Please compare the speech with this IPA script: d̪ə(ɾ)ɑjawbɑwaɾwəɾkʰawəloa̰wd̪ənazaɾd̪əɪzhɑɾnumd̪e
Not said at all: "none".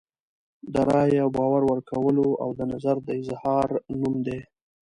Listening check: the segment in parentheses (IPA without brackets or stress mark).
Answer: ɾ